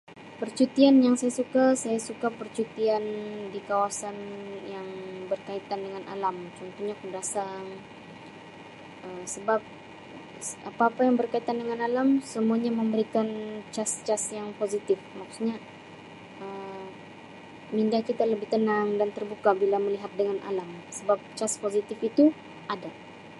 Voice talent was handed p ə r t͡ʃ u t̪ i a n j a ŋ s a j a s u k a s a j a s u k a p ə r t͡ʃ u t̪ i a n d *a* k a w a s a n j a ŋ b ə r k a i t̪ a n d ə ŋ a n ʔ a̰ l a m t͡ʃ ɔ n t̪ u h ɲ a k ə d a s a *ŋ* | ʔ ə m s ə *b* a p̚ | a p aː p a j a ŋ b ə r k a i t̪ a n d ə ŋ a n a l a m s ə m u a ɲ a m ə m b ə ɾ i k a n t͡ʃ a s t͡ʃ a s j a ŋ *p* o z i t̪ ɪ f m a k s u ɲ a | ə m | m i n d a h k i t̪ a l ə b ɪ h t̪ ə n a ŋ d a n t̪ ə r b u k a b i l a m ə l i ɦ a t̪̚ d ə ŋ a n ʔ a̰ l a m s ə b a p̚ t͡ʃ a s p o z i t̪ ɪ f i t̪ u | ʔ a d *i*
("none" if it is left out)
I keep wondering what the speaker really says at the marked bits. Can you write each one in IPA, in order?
i, ŋ, b, p, a

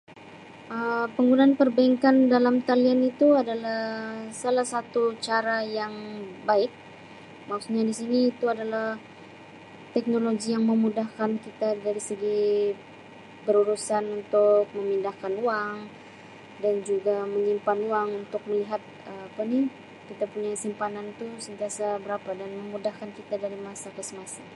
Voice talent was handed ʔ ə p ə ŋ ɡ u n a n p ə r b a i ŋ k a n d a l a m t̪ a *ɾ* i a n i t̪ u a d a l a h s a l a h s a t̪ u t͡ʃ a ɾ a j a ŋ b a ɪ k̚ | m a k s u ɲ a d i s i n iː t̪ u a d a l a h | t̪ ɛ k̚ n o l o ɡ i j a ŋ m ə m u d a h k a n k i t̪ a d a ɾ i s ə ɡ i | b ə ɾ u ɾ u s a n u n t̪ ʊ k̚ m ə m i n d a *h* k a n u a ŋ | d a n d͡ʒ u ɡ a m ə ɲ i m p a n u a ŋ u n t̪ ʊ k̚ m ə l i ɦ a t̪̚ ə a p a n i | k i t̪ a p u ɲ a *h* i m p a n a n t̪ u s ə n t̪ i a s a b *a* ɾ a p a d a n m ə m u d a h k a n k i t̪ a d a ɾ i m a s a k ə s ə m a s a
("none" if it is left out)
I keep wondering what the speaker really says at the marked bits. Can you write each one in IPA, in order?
l, h, s, ə

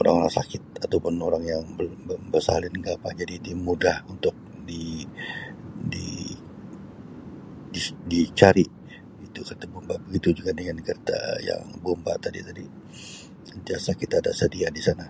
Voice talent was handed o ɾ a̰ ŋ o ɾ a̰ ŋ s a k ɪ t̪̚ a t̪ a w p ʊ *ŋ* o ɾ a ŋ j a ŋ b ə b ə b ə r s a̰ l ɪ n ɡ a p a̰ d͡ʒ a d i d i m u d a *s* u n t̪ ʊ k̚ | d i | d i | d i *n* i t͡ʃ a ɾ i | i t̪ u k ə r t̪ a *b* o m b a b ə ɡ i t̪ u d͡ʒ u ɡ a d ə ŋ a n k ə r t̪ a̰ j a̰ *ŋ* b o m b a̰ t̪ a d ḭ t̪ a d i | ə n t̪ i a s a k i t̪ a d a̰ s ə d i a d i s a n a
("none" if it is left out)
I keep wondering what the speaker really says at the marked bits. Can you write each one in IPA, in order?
n, h, d, b, ŋ

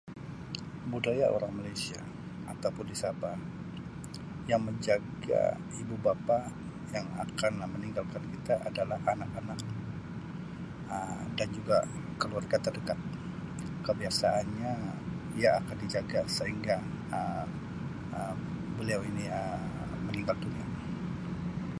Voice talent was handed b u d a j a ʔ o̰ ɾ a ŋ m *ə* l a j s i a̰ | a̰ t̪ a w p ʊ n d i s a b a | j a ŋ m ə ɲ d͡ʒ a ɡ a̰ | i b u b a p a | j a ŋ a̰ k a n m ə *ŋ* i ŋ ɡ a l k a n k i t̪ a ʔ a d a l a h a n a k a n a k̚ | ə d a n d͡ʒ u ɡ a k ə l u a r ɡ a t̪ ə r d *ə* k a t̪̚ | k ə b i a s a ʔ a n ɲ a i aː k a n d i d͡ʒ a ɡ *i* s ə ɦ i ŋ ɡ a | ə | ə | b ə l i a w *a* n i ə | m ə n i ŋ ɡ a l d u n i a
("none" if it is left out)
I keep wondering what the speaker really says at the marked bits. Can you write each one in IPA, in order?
a, n, ə, a, i

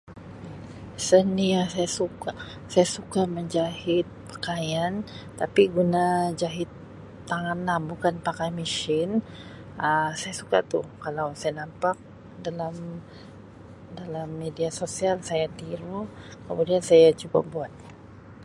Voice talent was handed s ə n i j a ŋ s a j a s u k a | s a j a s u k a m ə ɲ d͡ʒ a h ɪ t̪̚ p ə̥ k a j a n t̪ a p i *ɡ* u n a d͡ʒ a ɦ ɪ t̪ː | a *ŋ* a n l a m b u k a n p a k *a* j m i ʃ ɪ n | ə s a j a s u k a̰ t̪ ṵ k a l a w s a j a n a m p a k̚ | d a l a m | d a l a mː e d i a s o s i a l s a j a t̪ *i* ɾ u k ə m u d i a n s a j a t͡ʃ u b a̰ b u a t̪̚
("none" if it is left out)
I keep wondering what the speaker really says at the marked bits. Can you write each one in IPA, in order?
ɡ, ŋ, a, i

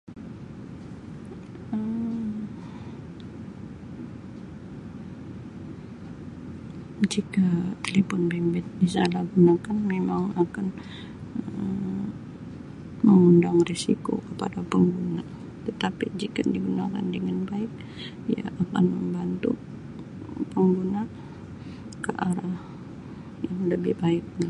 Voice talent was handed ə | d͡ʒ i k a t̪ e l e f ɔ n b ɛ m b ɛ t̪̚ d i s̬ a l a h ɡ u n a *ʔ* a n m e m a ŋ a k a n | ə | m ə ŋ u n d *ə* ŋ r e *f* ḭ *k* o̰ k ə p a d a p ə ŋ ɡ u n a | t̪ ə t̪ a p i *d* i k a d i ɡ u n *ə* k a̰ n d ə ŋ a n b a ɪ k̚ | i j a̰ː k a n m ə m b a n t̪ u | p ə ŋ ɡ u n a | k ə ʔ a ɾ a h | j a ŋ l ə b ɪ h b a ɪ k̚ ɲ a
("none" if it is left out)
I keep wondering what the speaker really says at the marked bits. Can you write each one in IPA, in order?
k, a, s, k, d͡ʒ, a

